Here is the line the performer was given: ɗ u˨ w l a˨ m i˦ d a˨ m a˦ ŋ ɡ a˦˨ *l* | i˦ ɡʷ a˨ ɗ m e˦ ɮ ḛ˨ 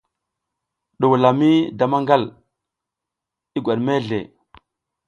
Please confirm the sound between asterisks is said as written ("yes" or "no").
yes